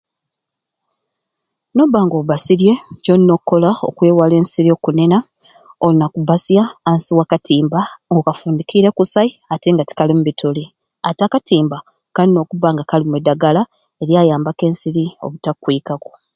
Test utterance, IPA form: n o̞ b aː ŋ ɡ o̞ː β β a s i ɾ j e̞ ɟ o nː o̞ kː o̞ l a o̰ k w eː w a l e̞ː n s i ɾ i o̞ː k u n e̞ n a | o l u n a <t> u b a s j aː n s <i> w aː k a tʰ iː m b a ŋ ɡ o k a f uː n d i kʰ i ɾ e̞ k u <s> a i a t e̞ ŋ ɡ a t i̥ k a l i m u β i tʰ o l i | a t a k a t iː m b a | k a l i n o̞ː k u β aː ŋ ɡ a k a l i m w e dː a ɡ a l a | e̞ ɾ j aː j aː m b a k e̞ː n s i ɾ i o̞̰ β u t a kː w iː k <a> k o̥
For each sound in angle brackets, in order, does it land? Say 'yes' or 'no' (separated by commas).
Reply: no, yes, yes, yes